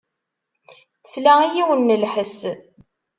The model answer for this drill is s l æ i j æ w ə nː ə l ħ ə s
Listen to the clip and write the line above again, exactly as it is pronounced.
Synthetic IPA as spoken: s l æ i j i w ə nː ə l ħ ə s